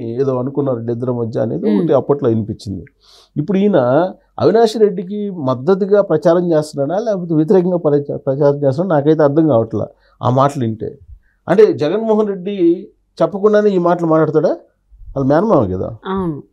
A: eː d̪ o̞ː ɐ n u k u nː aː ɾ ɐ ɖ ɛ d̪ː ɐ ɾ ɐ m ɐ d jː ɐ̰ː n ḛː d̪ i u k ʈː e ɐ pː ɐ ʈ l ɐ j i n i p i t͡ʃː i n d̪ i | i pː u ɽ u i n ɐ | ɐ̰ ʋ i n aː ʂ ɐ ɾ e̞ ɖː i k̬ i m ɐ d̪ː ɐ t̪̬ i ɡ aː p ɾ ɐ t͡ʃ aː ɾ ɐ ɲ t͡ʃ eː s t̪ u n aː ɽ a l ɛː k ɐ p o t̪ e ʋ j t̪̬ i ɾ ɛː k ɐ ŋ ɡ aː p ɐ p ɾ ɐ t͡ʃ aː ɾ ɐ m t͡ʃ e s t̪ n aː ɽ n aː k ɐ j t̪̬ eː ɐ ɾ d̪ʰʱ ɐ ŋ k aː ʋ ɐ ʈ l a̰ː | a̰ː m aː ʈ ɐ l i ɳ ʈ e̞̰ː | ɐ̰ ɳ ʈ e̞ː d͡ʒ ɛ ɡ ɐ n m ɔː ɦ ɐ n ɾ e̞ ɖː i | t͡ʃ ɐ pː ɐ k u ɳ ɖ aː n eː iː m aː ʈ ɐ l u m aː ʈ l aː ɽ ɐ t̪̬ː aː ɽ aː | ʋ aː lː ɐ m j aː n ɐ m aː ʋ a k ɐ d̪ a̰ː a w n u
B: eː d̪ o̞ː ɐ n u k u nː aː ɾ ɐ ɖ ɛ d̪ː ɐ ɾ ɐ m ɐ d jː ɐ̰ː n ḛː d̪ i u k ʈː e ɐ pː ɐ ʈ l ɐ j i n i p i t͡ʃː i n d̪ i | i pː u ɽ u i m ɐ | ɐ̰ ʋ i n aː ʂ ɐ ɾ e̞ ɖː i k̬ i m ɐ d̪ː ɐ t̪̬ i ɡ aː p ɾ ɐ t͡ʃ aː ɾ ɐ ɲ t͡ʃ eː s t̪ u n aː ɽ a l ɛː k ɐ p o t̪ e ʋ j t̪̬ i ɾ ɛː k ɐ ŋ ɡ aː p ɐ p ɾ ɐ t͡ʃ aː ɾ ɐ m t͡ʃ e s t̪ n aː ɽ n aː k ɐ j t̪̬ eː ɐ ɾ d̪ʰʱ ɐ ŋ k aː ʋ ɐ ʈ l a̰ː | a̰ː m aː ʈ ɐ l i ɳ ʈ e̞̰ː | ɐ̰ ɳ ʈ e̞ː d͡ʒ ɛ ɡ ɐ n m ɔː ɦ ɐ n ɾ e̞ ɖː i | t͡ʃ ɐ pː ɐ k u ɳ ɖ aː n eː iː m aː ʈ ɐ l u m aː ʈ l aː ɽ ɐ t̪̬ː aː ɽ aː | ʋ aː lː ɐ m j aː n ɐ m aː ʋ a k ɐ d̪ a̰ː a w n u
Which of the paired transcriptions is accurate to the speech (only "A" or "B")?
A